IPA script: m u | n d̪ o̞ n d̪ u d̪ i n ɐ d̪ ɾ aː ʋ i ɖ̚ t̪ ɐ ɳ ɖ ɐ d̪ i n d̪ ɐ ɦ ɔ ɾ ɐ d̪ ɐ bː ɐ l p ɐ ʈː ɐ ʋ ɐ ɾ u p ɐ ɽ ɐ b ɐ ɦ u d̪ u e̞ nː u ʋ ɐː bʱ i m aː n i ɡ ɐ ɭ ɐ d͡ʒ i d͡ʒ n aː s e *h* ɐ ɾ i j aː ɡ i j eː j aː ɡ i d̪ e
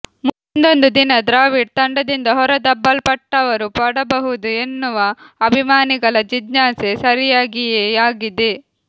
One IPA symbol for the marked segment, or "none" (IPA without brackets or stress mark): s